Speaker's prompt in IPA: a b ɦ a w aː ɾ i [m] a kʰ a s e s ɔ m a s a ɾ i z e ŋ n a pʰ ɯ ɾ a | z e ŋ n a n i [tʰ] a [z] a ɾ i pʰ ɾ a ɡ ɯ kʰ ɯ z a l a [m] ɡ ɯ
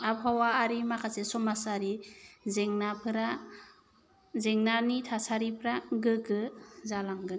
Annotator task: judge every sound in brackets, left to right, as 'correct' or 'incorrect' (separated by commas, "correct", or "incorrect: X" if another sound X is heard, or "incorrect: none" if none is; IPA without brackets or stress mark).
correct, correct, incorrect: s, incorrect: ŋ